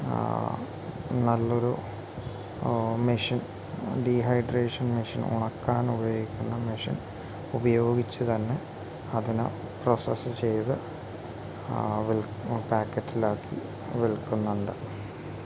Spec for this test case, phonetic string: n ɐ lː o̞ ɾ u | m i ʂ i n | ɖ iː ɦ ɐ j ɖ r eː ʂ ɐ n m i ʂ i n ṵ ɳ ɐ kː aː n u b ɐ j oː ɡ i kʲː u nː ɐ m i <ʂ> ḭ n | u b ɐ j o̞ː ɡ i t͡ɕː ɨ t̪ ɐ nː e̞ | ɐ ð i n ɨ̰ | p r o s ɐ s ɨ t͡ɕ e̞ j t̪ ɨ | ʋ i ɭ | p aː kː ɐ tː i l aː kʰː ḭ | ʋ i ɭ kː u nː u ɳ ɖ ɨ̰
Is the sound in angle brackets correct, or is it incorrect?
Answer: correct